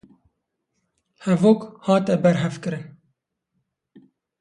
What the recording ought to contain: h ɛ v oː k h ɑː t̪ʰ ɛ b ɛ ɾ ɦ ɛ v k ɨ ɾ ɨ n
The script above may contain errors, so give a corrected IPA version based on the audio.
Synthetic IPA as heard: h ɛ v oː k h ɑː t̪ ɛ b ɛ ɾ ɦ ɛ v k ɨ ɾ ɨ n